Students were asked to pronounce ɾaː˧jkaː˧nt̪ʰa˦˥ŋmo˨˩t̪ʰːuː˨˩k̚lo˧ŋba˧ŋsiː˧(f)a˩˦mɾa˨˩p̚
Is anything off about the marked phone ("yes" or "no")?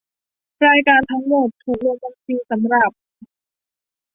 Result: yes